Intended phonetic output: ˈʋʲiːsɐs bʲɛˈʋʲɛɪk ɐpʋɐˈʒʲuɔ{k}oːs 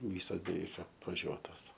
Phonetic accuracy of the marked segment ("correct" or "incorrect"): incorrect